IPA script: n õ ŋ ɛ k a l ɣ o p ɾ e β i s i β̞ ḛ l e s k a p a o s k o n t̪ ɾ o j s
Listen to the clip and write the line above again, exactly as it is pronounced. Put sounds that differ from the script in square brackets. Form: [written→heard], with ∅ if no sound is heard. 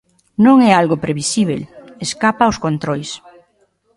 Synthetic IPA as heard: n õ ŋ ɛ [k→∅] a l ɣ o p ɾ e β i s i β̞ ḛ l e s k a p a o s k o n t̪ ɾ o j s